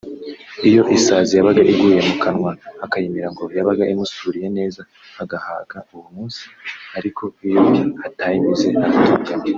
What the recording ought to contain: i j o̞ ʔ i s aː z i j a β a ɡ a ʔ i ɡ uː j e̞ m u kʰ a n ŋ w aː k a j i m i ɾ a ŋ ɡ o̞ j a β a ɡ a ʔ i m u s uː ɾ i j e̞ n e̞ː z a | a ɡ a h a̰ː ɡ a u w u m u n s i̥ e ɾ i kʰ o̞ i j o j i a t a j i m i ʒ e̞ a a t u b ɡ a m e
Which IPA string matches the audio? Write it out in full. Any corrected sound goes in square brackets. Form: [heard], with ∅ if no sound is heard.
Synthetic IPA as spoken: i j o̞ ʔ i s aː z i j a β a ɡ a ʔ i ɡ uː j e̞ m u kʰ a n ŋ w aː k a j i m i ɾ a ŋ ɡ o̞ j a β a ɡ a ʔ i m u s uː ɾ i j e̞ n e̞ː z a | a ɡ a h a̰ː ɡ a u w u m [uː] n s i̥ [a] ɾ i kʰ o̞ i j o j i a t a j i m i [z] e̞ a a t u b ɡ a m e